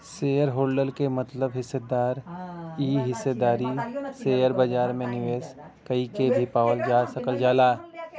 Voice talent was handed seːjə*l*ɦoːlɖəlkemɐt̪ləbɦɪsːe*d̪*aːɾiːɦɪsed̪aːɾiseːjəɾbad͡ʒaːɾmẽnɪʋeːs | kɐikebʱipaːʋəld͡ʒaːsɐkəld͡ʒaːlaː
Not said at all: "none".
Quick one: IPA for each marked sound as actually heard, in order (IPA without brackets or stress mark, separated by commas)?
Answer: ɾ, d̪